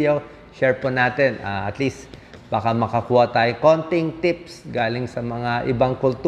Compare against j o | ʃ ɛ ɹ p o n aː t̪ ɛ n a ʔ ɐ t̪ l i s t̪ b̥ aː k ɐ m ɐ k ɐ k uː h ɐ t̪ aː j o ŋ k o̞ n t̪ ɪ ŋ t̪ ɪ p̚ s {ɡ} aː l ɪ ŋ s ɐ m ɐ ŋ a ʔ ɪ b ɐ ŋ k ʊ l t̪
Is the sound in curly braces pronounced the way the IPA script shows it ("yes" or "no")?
yes